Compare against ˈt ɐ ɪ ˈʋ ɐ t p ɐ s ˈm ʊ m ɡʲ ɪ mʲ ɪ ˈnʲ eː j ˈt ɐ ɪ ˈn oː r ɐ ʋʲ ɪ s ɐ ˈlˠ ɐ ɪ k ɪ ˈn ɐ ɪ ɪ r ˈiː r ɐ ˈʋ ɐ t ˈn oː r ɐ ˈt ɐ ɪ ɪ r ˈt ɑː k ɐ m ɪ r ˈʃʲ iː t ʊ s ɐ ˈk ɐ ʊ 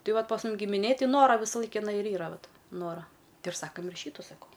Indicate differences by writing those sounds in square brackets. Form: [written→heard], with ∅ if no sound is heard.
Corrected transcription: ˈt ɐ ɪ ˈʋ ɐ t p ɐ s ˈm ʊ m ɡʲ ɪ mʲ ɪ ˈnʲ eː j ˈt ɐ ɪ ˈn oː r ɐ ʋʲ ɪ s ɐ ˈlˠ ɐ ɪ k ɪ ˈn ɐ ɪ ɪ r ˈiː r ɐ ˈʋ ɐ t ˈn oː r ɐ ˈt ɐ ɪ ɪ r [ˈt→ˈs] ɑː k ɐ m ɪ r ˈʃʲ iː t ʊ s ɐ ˈk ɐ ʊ